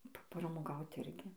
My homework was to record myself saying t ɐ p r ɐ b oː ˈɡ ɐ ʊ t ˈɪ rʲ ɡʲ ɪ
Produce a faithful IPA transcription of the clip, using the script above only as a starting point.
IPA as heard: p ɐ p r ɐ m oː ˈɡ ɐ ʊ t ˈɪ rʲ ɡʲ ɪ